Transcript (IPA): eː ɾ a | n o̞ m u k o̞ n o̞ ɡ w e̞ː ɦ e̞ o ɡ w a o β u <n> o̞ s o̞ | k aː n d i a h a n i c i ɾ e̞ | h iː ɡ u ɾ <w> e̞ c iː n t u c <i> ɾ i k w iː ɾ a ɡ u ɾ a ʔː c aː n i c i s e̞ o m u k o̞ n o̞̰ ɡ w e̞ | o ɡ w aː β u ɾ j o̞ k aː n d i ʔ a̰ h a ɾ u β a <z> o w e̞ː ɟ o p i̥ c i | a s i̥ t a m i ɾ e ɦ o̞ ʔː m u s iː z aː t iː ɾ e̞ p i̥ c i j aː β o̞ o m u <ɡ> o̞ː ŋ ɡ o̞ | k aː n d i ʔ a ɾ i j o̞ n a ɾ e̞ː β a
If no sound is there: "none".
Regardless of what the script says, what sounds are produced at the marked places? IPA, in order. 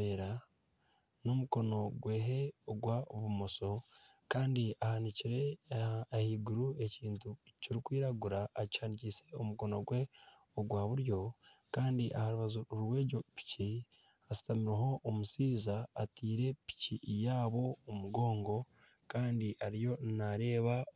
m, u, i, z, ɡ

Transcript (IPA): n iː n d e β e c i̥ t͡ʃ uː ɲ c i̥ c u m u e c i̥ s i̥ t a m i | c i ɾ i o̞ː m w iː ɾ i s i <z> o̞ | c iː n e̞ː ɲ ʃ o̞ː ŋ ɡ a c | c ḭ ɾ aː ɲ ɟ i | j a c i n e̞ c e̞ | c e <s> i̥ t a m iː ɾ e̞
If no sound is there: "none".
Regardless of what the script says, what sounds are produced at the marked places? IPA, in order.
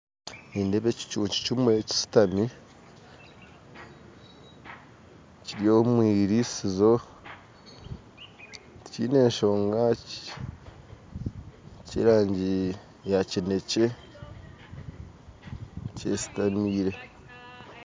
z, s

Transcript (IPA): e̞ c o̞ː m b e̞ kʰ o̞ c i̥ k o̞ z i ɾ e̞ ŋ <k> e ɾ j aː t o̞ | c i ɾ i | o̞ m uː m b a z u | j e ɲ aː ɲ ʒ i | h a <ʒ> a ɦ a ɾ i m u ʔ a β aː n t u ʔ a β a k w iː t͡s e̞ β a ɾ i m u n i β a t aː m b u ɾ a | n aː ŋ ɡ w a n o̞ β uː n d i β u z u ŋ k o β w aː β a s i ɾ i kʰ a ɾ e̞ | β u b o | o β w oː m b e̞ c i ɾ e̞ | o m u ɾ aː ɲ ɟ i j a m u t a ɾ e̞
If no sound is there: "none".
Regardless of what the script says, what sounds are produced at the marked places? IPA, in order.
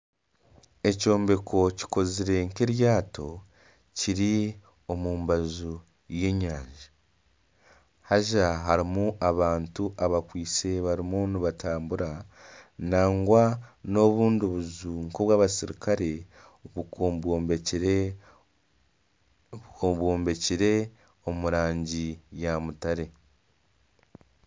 k, ʒ

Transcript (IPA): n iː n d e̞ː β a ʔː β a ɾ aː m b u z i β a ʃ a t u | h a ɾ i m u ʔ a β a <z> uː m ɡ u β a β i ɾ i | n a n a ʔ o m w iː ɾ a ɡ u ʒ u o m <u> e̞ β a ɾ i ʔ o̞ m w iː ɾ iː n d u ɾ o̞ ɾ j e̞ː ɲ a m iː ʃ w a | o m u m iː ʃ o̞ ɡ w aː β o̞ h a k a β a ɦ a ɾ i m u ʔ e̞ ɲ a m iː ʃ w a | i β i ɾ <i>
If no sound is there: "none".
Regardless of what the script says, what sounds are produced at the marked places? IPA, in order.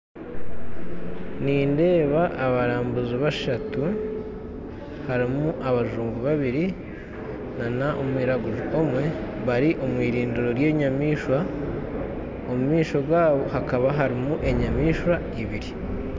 ʒ, w, i

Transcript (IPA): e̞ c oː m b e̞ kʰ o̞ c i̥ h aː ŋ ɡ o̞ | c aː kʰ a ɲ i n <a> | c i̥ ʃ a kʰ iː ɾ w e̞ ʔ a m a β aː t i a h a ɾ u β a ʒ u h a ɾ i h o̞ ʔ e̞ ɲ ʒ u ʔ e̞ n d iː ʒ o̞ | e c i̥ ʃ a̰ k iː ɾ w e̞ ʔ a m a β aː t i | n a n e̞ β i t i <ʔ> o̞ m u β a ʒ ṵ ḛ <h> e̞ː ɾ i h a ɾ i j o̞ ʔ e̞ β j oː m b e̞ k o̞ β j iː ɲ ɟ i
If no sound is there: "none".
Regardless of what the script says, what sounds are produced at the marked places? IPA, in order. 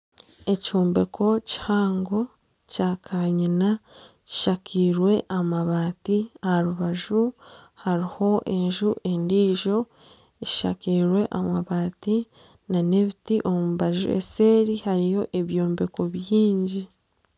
a, ʔ, s

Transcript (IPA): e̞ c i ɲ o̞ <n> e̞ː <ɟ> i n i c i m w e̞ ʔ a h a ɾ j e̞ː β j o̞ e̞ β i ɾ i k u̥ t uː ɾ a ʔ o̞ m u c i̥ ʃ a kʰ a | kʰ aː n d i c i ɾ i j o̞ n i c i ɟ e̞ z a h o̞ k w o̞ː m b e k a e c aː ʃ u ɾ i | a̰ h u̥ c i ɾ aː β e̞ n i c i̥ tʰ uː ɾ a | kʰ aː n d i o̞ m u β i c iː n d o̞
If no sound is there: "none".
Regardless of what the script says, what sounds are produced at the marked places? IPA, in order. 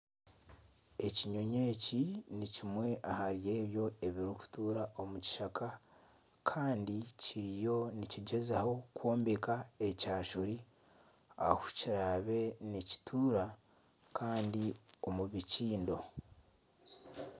ɲ, c

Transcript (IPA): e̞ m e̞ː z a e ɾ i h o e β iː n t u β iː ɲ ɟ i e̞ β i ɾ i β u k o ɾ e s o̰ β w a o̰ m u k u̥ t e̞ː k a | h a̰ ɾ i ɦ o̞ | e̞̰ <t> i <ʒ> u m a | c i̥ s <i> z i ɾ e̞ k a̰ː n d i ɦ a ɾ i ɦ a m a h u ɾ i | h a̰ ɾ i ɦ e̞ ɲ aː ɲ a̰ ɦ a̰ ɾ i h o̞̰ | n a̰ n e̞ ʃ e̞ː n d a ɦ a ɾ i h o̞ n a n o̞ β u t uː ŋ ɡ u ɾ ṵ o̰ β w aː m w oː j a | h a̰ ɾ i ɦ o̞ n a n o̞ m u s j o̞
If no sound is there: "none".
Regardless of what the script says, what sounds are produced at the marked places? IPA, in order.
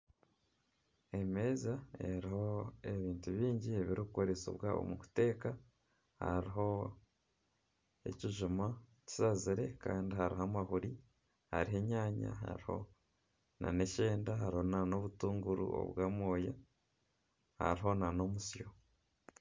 c, ʒ, a

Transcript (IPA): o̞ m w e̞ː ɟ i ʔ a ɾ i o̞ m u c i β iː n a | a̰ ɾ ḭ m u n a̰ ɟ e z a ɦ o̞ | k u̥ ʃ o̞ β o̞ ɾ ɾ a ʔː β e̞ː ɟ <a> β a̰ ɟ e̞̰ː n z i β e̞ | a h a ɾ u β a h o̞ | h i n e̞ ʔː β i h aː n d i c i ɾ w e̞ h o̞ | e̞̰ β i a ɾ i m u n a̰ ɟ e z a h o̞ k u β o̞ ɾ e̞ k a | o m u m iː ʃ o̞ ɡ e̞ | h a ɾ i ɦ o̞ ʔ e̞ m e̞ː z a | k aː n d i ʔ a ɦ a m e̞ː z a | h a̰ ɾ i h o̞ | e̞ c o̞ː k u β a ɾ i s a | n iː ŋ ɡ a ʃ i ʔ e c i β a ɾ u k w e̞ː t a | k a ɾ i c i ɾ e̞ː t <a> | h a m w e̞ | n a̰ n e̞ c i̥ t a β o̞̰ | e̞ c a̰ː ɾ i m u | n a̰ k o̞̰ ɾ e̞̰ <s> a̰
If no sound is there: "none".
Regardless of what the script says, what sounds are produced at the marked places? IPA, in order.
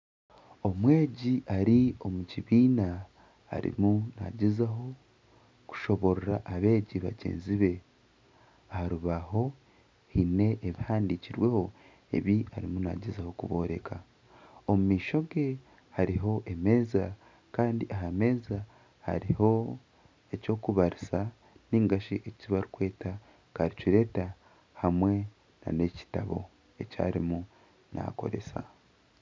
i, a, s

